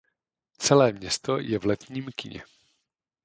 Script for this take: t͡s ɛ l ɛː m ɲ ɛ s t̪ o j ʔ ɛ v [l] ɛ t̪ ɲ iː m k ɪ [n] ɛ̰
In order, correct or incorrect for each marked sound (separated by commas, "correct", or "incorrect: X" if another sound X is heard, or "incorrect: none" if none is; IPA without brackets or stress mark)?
correct, incorrect: ɲ